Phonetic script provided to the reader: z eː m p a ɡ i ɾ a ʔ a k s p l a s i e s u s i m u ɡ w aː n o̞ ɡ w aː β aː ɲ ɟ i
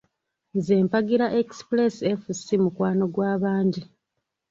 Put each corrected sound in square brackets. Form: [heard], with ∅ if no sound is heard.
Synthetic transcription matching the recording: z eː m p a ɡ i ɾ a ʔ [e] k s p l [e] s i e [f] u s i m u [k] w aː n o̞ ɡ w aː β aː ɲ ɟ i